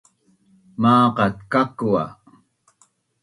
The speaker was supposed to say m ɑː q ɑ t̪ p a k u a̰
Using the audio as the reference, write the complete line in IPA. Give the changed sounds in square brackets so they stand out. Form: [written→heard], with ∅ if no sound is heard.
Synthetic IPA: m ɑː q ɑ t̪ [p→k] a k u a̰